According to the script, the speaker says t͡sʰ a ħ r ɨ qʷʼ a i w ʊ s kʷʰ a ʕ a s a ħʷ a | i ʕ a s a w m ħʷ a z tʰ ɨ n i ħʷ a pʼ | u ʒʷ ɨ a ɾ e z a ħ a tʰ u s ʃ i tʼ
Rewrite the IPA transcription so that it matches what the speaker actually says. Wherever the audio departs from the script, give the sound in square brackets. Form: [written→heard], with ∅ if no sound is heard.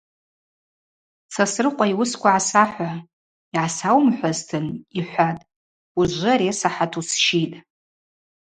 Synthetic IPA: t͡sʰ a [ħ→s] r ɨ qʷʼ a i w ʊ s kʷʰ a ʕ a s a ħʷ a | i ʕ a s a w m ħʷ a z tʰ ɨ n i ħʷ a [pʼ→tʼ] | u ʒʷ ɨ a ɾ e [z→s] a ħ a tʰ u s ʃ i tʼ